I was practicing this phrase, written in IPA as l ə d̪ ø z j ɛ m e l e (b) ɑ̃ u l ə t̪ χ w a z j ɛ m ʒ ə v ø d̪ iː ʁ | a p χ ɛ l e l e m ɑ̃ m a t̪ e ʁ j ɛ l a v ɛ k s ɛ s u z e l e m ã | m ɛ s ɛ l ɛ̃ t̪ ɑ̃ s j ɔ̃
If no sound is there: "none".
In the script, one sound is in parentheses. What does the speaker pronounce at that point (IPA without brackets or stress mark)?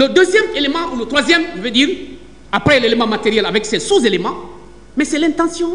m